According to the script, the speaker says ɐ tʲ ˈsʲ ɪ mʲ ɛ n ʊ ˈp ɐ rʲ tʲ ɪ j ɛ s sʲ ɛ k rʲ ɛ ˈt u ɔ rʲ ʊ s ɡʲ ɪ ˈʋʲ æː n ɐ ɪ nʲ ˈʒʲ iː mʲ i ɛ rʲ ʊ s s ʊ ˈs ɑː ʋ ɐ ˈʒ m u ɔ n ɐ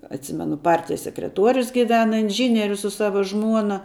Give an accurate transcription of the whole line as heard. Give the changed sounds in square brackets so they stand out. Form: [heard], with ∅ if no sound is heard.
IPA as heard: ɐ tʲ ˈsʲ ɪ mʲ ɛ n ʊ ˈp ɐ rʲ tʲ ɪ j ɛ s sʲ ɛ k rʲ ɛ ˈt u ɔ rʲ ʊ s ɡʲ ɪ ˈʋʲ æː n ɐ ɪ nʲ ˈʒʲ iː [nʲ] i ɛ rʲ ʊ s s ʊ ˈs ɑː ʋ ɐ ˈʒ m u ɔ n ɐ